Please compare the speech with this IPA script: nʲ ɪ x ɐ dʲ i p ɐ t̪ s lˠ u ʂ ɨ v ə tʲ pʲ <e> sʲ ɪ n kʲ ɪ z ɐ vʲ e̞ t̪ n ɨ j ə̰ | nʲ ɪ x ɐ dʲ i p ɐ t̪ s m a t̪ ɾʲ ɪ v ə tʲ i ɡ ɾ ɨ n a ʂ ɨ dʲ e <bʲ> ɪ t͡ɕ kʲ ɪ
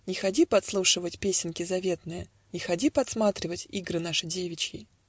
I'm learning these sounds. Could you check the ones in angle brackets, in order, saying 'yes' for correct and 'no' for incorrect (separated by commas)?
yes, no